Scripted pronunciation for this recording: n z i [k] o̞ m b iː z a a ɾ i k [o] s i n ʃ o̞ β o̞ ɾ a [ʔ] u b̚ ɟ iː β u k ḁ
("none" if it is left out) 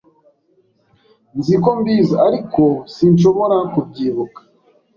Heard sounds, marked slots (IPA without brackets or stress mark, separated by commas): k, o, k